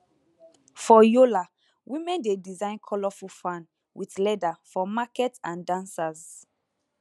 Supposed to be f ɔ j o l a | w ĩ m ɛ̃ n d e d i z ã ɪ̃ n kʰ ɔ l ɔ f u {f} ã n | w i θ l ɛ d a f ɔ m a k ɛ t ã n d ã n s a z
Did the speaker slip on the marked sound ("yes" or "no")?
no